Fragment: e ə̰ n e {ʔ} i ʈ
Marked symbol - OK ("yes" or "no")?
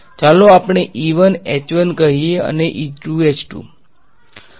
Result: yes